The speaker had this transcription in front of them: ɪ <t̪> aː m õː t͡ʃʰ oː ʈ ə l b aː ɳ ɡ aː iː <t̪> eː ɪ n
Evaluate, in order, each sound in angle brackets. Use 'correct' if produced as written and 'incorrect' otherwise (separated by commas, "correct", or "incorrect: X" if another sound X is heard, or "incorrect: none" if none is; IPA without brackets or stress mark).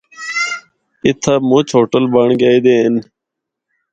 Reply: incorrect: t̪ʰ, incorrect: d̪